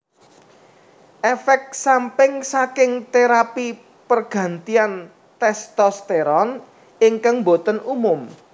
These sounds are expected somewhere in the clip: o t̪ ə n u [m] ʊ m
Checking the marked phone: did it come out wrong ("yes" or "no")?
no